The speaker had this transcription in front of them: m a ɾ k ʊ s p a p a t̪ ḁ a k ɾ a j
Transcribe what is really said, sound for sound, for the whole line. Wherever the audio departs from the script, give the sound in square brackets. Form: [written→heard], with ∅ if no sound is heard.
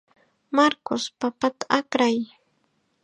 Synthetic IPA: m a ɾ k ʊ s p a p a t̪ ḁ a k ɾ a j